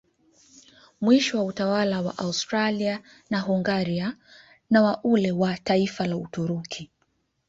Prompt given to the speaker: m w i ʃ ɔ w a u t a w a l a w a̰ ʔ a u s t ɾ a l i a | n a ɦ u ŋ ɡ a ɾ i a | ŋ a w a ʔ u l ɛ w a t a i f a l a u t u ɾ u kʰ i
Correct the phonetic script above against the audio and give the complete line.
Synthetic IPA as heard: m w i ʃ ɔ w a u t a w a l a w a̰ ʔ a u s t ɾ a l i a | n a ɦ u ŋ ɡ a ɾ i a | n a w a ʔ u l ɛ w a t a i f a l a u t u ɾ u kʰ i

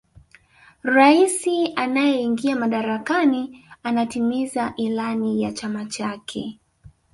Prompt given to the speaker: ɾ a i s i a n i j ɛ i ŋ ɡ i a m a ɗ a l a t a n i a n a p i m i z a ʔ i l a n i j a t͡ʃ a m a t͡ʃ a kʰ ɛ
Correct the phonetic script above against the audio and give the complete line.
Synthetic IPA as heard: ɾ a i s i a n a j ɛ i ŋ ɡ i a m a ɗ a ɾ a k a n i a n a t i m i z a ʔ i l a n i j a t͡ʃ a m a t͡ʃ a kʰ ɛ

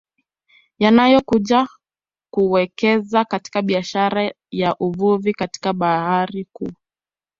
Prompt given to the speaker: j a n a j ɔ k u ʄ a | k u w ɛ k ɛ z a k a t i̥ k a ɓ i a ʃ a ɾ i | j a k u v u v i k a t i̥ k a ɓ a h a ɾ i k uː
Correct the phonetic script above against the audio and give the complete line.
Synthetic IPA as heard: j a n a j ɔ k u ʄ a | k u w ɛ k ɛ z a k a t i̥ k a ɓ i a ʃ a ɾ a | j a ʔ u v u v i k a t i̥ k a ɓ a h a ɾ i k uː

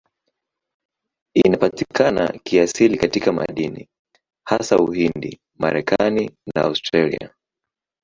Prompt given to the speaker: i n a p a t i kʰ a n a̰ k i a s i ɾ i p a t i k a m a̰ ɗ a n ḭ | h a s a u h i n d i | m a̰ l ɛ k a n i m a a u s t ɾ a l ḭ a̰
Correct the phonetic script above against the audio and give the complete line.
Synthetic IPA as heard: i n a p a t i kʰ a n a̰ k i a s i l i k a t i k a m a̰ ɗ i n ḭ | h a s a u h i n d i | m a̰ ɾ ɛ k a n i n a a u s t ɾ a l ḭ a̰

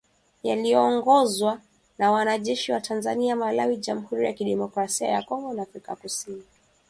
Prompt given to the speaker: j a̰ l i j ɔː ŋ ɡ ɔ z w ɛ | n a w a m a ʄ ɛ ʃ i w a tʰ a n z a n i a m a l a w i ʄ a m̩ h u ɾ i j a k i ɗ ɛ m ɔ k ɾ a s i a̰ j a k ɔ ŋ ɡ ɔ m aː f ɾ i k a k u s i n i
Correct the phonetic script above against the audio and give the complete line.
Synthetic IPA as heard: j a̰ l i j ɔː ŋ ɡ ɔ z w a | n a w a n a ʄ ɛ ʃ i w a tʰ a n z a n i a m a l a w i ʄ a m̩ h u ɾ i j a k i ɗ ɛ m ɔ k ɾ a s i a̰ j a k ɔ ŋ ɡ ɔ n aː f ɾ i k a k u s i n i

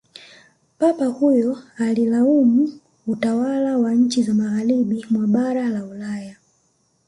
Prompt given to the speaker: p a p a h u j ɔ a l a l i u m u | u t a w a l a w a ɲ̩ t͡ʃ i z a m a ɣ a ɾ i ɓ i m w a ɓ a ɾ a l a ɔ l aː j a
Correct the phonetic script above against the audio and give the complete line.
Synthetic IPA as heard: p a p a h u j ɔ a l i l a u m u | u t a w a l a w a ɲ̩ t͡ʃ i z a m a ɣ a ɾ i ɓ i m w a ɓ a ɾ a l a u l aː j a

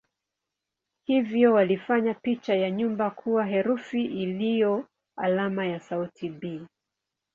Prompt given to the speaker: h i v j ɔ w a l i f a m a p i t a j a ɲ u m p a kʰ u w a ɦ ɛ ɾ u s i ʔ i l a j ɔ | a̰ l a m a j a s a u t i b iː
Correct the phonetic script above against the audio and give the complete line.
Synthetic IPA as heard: h i v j ɔ w a l i f a ɲ a p i t͡ʃ a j a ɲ u m b a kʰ u w a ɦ ɛ ɾ u f i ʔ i l i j ɔ | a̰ l a m a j a s a u t i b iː

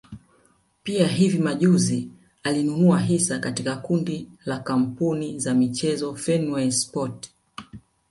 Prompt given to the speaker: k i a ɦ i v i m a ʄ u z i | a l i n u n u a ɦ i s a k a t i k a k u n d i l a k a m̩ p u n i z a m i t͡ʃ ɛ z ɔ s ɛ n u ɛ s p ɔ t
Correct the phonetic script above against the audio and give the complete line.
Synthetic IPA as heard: p i a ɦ i v i m a ʄ u z i | a l i n u n u a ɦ i s a k a t i k a k u n d i l a k a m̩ p u n i z a m i t͡ʃ ɛ z ɔ f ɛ n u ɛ s p ɔ t

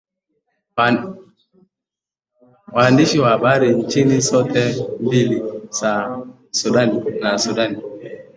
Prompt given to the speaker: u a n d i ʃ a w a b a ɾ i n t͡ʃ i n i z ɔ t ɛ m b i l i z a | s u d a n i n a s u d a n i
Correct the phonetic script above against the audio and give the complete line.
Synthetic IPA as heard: w a n d i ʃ i w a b a ɾ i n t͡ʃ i n i s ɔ t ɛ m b i l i s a | s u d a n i n a s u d a n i

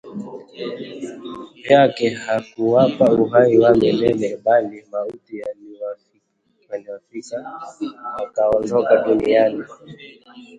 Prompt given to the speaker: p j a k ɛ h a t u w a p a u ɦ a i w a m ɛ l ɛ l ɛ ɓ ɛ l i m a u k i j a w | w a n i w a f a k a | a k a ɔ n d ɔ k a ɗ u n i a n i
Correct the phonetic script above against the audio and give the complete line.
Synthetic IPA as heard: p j a k ɛ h a k u w a p a u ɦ a i w a m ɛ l ɛ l ɛ ɓ a l i m a u t i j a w | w a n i w a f i k a | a k a ɔ n d ɔ k a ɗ u n i a n i

